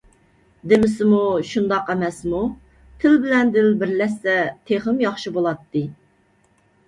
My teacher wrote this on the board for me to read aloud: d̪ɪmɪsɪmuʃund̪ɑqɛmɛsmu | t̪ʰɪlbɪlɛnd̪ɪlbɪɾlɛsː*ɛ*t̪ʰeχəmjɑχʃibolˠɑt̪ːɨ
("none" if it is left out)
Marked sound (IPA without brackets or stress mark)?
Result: ɛ